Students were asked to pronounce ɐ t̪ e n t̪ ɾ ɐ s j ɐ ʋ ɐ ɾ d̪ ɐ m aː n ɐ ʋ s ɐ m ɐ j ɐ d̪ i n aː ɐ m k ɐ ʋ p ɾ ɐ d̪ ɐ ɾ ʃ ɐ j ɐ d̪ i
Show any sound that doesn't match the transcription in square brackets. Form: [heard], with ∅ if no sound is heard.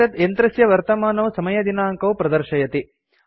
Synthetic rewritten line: ɐ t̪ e n t̪ ɾ ɐ s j ɐ ʋ ɐ ɾ [t̪] ɐ m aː n ɐ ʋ s ɐ m ɐ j ɐ d̪ i n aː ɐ [ŋ] k ɐ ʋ p ɾ ɐ d̪ ɐ ɾ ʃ ɐ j ɐ [t̪] i